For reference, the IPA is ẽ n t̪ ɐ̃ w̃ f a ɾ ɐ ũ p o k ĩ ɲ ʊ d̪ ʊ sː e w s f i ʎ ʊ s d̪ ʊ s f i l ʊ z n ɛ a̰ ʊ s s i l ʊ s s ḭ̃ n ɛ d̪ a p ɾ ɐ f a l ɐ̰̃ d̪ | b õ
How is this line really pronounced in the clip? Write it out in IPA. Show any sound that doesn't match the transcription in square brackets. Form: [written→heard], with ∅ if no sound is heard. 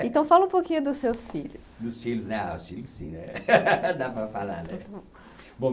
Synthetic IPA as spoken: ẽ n t̪ ɐ̃ w̃ f a [ɾ→l] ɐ ũ p o k ĩ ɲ ʊ d̪ ʊ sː e w s f i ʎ ʊ s d̪ ʊ s f i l ʊ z n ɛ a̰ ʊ s [s→f] i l ʊ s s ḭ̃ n ɛ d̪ a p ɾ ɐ f a l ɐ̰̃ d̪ | b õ

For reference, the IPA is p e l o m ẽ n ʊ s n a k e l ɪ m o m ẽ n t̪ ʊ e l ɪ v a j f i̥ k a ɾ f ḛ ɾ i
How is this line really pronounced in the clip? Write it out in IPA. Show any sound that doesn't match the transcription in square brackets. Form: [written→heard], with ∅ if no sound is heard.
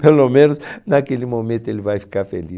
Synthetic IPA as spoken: p e l o m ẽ n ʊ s n a k e l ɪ m o m ẽ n t̪ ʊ e l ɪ v a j f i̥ k a ɾ f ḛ [ɾ→l] i

